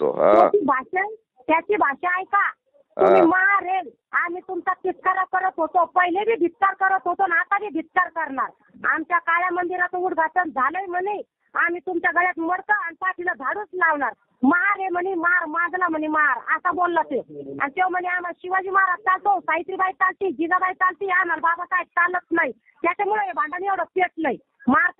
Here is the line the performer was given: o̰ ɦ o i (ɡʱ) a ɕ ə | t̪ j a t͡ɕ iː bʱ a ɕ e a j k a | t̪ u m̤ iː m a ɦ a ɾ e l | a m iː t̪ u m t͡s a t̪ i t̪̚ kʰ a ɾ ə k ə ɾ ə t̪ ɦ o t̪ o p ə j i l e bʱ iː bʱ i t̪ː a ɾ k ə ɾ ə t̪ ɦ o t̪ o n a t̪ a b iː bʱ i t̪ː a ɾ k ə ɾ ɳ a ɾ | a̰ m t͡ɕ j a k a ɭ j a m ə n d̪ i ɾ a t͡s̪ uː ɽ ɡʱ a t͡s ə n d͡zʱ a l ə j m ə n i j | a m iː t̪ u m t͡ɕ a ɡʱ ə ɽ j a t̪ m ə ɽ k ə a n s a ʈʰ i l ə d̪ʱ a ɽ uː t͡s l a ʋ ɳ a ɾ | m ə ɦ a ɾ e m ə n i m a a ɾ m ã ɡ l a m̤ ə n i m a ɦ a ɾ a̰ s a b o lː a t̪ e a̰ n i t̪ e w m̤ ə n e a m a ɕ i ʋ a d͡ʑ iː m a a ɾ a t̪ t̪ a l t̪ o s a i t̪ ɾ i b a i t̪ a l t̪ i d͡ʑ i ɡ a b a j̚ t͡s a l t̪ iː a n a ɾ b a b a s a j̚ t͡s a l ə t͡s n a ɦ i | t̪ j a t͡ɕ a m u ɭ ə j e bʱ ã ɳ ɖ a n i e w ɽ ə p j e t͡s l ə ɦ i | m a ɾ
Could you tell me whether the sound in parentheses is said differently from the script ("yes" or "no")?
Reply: yes